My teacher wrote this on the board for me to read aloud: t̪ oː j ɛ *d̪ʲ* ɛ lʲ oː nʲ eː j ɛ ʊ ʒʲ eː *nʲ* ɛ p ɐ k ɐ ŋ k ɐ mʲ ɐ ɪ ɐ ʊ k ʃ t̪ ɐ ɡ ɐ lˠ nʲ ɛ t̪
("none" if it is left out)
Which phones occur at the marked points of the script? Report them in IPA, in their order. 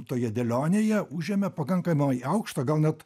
d̪ʲ, mʲ

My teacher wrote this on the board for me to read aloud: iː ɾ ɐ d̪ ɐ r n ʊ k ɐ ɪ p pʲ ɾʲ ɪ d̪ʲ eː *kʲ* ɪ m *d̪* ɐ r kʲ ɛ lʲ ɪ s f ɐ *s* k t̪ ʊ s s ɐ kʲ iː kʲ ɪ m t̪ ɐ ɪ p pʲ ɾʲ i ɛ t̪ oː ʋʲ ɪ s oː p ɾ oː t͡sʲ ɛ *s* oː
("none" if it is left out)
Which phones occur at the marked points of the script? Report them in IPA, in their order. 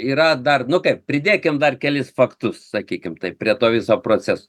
kʲ, d̪, none, s

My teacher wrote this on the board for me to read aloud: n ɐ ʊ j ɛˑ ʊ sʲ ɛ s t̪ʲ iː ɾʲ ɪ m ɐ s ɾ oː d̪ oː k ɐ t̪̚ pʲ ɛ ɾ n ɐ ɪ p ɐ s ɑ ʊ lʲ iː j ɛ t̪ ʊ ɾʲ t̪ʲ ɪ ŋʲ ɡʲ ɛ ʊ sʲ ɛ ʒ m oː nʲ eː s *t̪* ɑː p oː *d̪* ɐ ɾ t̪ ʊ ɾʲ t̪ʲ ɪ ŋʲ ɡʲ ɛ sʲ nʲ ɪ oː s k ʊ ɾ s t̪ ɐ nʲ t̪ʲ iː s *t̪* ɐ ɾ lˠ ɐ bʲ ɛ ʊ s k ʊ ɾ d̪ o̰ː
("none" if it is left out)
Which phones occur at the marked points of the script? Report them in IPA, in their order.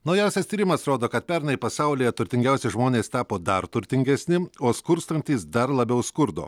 t̪, d̪, d̪

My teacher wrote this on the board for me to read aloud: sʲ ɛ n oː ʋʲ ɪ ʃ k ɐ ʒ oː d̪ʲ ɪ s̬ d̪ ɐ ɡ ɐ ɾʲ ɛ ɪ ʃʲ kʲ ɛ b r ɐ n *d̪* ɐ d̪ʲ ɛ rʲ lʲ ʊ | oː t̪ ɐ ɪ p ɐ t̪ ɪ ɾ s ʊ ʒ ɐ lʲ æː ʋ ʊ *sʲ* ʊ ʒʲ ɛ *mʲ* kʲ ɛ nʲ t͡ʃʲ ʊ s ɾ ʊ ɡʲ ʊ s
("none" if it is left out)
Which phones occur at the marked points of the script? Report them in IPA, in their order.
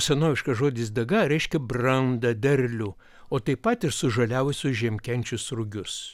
d̪, sʲ, mʲ

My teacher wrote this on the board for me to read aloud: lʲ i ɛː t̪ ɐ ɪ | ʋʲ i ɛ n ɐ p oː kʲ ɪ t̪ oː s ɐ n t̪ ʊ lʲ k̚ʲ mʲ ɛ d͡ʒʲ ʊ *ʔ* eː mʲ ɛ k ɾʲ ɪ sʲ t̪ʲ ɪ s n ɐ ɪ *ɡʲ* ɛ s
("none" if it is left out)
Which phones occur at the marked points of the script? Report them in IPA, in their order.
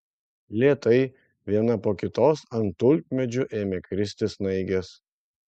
ʔ, ɡʲ

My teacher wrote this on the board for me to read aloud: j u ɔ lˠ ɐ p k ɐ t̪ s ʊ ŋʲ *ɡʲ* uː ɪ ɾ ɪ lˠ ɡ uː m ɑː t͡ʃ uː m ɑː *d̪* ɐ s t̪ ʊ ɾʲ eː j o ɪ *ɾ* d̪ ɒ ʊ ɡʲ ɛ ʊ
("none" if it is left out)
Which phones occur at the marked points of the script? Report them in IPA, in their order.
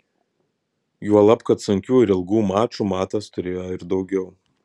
kʲ, t̪, ɾ

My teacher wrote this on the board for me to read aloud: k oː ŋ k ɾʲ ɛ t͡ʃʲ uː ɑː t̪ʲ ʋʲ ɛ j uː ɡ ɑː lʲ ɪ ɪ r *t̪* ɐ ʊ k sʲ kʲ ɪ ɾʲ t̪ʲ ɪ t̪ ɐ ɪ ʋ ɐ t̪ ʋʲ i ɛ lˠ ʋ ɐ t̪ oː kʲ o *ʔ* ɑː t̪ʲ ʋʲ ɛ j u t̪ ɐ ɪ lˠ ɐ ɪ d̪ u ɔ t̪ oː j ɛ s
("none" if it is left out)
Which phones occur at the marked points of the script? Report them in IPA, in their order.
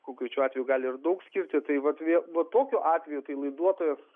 d̪, ʔ

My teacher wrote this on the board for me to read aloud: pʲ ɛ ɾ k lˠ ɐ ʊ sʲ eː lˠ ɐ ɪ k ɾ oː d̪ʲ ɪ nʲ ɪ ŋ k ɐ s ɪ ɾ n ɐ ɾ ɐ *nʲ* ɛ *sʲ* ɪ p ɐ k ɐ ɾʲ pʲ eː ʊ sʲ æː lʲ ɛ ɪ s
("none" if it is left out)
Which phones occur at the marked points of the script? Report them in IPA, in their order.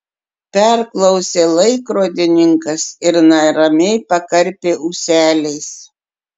mʲ, none

